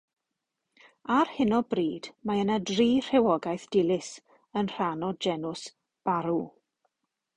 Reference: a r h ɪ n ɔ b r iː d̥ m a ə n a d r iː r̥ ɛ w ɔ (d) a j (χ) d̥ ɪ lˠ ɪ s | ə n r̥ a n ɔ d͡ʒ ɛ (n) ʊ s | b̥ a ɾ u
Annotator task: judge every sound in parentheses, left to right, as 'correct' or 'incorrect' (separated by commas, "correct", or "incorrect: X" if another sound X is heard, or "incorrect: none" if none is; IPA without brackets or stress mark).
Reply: incorrect: ɡ, incorrect: θ, correct